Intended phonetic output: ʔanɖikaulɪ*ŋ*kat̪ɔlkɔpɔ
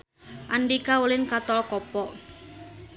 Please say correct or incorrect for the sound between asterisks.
incorrect